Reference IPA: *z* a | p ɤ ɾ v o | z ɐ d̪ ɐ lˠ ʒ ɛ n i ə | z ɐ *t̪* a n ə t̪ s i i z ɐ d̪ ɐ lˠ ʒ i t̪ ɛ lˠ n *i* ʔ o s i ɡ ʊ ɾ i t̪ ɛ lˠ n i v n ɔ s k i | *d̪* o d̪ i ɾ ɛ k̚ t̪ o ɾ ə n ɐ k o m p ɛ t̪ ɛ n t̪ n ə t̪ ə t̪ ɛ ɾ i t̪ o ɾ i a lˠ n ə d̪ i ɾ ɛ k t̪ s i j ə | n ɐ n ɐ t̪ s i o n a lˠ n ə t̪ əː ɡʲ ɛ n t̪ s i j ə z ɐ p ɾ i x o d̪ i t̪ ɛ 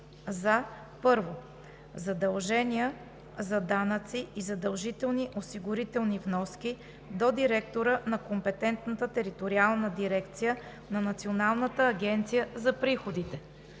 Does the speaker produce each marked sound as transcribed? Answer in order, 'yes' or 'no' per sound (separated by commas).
yes, no, yes, yes